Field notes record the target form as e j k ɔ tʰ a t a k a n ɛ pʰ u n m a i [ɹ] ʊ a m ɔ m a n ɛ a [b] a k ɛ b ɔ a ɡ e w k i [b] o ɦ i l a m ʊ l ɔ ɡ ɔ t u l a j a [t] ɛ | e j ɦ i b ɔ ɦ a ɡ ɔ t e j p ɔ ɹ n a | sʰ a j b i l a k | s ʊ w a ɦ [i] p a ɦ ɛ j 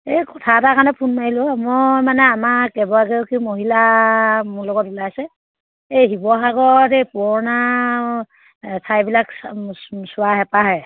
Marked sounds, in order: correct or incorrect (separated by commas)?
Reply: incorrect, incorrect, incorrect, incorrect, incorrect